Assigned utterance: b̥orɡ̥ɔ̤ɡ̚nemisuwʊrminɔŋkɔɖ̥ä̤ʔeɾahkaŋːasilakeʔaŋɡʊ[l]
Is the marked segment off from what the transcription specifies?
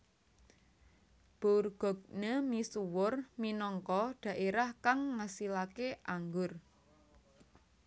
yes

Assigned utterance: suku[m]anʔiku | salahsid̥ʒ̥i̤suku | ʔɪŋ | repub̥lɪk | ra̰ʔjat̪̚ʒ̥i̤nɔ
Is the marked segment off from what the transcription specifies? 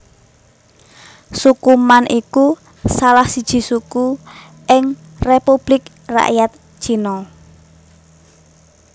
no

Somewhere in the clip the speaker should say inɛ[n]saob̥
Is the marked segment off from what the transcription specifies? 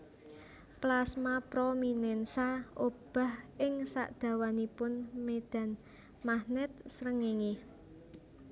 no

